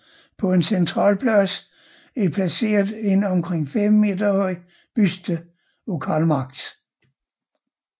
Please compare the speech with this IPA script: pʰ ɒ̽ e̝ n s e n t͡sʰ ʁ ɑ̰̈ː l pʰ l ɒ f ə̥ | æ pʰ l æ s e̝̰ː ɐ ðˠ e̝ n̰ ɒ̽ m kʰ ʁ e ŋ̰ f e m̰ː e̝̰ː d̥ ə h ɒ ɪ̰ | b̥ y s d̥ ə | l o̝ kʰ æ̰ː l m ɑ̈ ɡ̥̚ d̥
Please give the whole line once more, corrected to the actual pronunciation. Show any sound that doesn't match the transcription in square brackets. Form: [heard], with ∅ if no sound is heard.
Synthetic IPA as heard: pʰ ɒ̽ e̝ n s e n t͡sʰ ʁ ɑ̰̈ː l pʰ l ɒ [s] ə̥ | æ pʰ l æ s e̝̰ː ɐ ðˠ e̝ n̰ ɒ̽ m kʰ ʁ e ŋ̰ f e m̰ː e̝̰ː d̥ [ɐ] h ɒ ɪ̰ | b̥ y s d̥ ə | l o̝ kʰ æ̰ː l m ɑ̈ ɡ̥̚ d̥